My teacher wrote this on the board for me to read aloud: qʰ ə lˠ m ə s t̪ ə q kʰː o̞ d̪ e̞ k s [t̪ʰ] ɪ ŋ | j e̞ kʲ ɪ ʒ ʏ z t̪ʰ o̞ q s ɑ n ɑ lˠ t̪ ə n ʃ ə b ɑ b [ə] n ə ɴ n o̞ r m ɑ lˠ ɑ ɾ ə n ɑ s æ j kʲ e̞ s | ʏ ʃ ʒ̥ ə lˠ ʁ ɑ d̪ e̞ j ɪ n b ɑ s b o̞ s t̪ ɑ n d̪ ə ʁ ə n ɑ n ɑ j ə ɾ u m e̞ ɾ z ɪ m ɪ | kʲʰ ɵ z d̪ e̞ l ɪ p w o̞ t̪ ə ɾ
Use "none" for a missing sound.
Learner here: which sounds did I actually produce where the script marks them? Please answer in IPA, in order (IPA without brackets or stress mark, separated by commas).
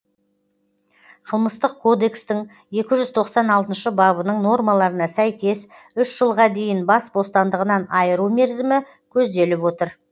t̪, ə